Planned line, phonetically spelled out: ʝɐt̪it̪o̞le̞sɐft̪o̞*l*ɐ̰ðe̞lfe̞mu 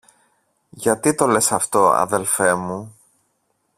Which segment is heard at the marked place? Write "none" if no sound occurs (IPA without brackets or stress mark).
none